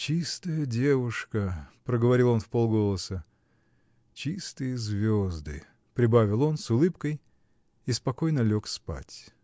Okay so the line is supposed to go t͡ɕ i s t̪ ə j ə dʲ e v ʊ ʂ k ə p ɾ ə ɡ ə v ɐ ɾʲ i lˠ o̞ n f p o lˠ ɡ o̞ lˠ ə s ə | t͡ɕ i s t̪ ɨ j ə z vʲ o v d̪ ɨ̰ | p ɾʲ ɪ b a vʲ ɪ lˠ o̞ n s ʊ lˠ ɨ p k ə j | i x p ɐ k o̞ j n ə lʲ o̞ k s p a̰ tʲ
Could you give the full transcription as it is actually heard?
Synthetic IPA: t͡ɕ i s t̪ ə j ə dʲ e v ʊ ʂ k ə p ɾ ə ɡ ə v ɐ ɾʲ i lˠ o̞ n f p o lˠ ɡ o̞ lˠ ə s ə | t͡ɕ i s t̪ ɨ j ə z vʲ o z d̪ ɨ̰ | p ɾʲ ɪ b a vʲ ɪ lˠ o̞ n s ʊ lˠ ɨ p k ə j | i s p ɐ k o̞ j n ə lʲ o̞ k s p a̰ tʲ